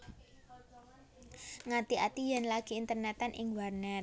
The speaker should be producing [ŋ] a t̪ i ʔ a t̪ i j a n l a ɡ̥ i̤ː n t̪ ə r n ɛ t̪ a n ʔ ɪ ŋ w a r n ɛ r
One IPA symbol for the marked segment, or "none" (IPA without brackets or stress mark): ŋ